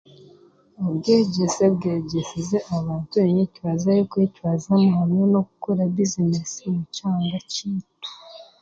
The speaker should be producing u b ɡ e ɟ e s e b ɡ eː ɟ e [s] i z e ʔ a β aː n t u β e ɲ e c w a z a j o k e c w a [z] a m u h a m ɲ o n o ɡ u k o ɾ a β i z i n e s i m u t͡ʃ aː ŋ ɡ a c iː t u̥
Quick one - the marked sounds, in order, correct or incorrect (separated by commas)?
correct, correct